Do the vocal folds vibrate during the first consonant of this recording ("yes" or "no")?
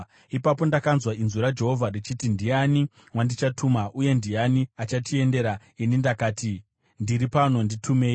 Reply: no